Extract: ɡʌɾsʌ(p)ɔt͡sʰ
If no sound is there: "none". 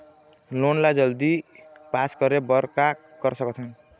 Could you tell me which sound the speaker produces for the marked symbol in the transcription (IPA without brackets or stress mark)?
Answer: k